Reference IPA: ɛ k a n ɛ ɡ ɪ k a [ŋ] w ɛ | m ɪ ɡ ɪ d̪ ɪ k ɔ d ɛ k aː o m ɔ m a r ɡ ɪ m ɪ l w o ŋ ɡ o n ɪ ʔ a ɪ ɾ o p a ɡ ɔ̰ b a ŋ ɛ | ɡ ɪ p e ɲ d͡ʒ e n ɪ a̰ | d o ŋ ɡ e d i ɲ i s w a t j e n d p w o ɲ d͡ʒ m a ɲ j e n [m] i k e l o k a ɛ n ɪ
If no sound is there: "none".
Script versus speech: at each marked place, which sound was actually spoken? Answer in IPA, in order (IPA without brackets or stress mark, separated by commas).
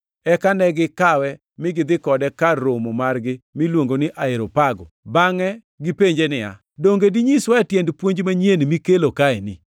none, m